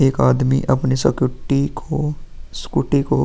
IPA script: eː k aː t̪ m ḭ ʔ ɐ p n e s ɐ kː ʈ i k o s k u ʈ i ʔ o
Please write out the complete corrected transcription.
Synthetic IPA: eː k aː d̪ m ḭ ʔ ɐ p n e s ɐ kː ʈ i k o s k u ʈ i k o

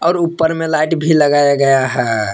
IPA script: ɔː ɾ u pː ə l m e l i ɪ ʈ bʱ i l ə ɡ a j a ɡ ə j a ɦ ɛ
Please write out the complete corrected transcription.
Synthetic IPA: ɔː ɾ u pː ə ɾ m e l a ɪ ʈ bʱ i l ə ɡ a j a ɡ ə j a ɦ ɛ

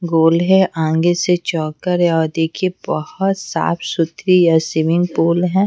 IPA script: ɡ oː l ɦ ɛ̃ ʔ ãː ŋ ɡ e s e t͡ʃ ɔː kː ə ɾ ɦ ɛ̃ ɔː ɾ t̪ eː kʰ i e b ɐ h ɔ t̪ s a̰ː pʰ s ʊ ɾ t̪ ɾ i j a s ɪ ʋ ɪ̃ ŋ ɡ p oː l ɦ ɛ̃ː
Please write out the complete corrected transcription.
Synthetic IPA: ɡ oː l ɦ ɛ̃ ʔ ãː ŋ ɡ e s e t͡ʃ ɔː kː ə ɾ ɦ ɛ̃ ɔː ɾ d̪ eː kʰ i e b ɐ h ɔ t̪ s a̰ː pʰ s ʊ t̪ ɾ i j a s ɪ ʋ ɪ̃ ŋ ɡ p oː l ɦ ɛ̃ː

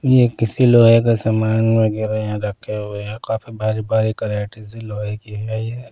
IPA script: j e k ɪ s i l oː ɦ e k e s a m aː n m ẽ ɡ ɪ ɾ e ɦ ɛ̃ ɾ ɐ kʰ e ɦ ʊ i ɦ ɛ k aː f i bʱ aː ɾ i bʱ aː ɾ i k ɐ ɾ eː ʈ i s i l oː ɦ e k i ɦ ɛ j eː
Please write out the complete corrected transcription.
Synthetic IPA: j e k ɪ s i l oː ɦ e k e s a m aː n m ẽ ɡ ɪ ɾ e ɦ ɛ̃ ɾ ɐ kʰ e ɦ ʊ e ɦ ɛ k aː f i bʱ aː ɾ i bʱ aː ɾ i k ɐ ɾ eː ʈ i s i l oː ɦ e k i ɦ ɛ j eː

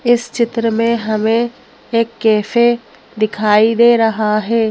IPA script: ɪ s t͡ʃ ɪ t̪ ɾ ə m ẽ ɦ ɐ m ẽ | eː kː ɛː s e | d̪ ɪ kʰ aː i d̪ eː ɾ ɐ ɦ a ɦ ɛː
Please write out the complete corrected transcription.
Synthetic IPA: ɪ s t͡ʃ ɪ t̪ ɾ ə m ẽ ɦ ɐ m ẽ | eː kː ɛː f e | d̪ ɪ kʰ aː i d̪ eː ɾ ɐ ɦ a ɦ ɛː

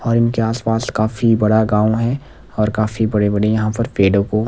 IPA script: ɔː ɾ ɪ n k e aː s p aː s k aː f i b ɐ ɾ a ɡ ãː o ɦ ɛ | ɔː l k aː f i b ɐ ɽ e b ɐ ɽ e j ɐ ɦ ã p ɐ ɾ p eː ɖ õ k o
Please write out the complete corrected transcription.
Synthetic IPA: ɔː ɾ ɪ n k e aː s p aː s k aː f i b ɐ ɽ a ɡ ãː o ɦ ɛ | ɔː ɾ k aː f i b ɐ ɽ e b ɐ ɽ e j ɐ ɦ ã p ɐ ɾ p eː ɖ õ k o

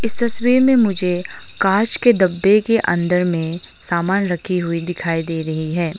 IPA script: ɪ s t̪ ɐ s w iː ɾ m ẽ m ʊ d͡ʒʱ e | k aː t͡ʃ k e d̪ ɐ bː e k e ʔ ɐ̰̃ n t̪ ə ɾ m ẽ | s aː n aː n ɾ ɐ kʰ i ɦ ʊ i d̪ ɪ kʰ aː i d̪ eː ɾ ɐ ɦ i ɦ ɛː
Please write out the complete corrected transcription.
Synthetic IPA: ɪ s t̪ ɐ s w iː ɾ m ẽ m ʊ d͡ʒʱ e | k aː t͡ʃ k e d̪ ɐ bː e k e ʔ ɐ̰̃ n d̪ ə ɾ m ẽ | s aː m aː n ɾ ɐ kʰ i ɦ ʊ i d̪ ɪ kʰ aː i d̪ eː ɾ ɐ ɦ i ɦ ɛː

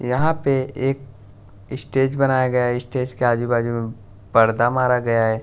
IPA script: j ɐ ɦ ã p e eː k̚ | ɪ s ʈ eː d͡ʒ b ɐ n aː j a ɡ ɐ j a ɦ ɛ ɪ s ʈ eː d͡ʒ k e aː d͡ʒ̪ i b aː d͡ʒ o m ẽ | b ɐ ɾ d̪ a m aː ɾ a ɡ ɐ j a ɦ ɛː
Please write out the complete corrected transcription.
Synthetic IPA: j ɐ ɦ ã p e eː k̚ | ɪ s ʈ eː d͡ʒ b ɐ n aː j a ɡ ɐ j a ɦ ɛ ɪ s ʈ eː d͡ʒ k e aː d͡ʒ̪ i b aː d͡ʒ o m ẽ | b ɐ ɾ d̪ a m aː ɾ a ɡ ɐ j a ɦ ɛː

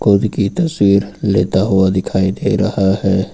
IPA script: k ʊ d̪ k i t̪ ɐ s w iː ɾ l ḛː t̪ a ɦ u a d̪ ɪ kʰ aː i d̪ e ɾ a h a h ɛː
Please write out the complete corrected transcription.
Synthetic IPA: k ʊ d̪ k i t̪ ɐ s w iː ɾ l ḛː t̪ a ɦ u a d̪ ɪ kʰ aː i d̪ e ɾ ɐ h a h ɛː

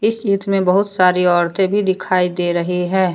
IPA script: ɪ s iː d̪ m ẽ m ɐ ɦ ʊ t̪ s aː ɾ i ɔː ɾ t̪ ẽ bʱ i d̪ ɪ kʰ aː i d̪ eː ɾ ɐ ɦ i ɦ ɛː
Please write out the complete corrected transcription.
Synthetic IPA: ɪ s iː t̪ m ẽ b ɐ ɦ ʊ t̪ s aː ɾ i ɔː ɾ t̪ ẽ bʱ i d̪ ɪ kʰ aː i d̪ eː ɾ ɐ ɦ i ɦ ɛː

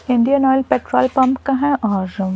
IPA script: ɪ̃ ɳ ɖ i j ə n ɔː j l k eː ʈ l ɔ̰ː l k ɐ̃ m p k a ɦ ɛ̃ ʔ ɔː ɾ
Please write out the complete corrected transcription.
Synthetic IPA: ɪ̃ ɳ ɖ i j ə n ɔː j l p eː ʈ ɾ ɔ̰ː l p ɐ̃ m p k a ɦ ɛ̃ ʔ ɔː ɾ

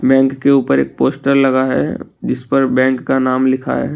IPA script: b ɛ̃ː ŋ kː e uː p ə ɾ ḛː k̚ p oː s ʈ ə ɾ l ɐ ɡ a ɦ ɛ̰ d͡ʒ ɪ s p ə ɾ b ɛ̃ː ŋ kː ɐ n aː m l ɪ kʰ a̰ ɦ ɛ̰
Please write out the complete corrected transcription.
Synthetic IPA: b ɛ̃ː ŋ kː e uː p ə ɾ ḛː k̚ p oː s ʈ ə ɾ l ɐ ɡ a ɦ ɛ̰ d͡ʒ ɪ s p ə ɾ b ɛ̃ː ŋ kː a n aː m l ɪ kʰ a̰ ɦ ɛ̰

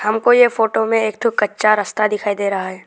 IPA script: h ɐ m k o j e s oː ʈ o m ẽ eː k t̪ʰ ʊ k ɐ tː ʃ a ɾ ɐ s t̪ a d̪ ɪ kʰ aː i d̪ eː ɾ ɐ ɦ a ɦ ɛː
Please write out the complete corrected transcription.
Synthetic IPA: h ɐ m k o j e f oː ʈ o m ẽ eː k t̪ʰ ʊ k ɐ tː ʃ a ɾ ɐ s t̪ a d̪ ɪ kʰ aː i d̪ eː ɾ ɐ ɦ a ɦ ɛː

